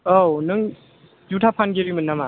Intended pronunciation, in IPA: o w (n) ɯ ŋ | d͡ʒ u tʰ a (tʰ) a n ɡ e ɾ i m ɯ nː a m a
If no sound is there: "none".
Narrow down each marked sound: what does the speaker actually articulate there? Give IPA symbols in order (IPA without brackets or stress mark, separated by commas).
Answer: n, pʰ